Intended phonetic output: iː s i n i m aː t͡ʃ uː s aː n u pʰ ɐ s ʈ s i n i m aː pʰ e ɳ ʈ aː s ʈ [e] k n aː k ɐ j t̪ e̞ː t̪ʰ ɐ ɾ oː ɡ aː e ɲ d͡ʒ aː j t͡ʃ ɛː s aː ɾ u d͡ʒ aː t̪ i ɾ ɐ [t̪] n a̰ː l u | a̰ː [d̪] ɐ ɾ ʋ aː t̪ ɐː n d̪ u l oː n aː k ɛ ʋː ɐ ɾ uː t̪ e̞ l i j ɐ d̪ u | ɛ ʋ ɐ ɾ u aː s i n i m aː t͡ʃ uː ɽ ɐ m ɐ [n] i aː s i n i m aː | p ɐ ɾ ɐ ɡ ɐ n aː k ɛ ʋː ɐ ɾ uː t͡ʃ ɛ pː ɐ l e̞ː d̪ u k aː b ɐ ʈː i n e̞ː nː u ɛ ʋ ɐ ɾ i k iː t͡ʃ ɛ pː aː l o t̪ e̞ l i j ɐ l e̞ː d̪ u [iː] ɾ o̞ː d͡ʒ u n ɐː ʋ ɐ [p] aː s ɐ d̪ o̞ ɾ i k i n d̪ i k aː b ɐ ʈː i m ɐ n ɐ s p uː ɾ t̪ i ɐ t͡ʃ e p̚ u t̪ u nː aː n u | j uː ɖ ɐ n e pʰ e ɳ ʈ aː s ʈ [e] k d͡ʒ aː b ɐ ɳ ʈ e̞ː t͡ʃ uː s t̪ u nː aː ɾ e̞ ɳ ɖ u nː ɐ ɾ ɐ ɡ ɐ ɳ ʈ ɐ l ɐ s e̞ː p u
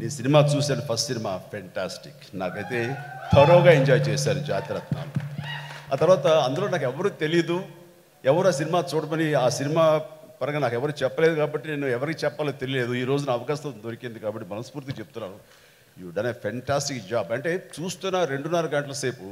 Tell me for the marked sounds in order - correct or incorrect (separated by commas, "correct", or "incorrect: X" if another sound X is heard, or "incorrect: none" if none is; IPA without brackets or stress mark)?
incorrect: i, correct, incorrect: t̪, correct, correct, incorrect: k, incorrect: i